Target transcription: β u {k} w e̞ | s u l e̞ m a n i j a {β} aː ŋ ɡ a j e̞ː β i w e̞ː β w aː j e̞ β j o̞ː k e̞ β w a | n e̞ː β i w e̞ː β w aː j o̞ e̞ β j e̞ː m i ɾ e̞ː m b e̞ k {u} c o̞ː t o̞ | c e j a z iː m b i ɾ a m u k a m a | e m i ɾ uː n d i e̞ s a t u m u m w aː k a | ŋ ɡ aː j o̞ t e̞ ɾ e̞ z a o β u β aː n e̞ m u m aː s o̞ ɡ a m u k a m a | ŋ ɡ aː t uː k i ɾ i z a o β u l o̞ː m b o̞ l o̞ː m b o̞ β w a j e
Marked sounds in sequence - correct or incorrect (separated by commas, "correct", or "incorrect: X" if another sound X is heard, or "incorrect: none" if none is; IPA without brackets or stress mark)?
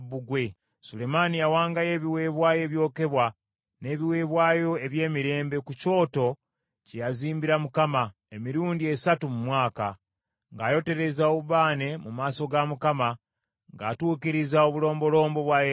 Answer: incorrect: ɡ, incorrect: w, correct